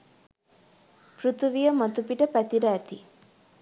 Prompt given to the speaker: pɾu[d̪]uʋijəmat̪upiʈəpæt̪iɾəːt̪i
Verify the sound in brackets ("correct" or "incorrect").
incorrect